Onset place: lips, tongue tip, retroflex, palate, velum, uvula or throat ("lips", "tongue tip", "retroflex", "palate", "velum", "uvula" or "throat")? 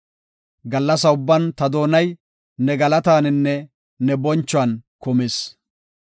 velum